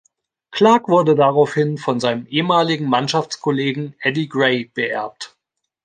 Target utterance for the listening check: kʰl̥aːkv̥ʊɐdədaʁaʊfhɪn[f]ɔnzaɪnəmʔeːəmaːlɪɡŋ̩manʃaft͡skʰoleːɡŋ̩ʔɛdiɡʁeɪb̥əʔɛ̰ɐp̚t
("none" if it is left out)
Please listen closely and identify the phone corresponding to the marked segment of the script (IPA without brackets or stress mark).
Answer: f